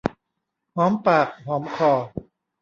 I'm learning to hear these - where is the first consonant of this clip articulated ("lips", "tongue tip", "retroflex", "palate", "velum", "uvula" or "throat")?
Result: throat